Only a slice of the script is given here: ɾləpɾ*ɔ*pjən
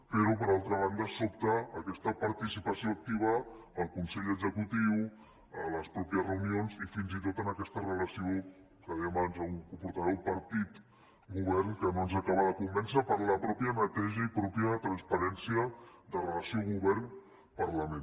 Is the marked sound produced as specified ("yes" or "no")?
yes